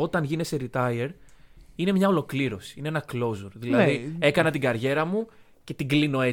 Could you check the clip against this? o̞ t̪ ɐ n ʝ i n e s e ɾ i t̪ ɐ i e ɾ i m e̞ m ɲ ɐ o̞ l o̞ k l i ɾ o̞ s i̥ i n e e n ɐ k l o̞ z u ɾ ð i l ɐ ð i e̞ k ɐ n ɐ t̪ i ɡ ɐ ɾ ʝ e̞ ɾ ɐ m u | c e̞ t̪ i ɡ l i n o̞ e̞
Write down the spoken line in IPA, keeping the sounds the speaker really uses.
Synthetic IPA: o̞ t̪ ɐ n ʝ i n e s e ɾ i t̪ ɐ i e ɾ i n e̞ m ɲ ɐ o̞ l o̞ k l i ɾ o̞ s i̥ i n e e n ɐ k l o̞ z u ɾ ð i l ɐ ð i e̞ k ɐ n ɐ t̪ i ɡ ɐ ɾ ʝ e̞ ɾ ɐ m u | c e̞ t̪ i ɡ l i n o̞ e̞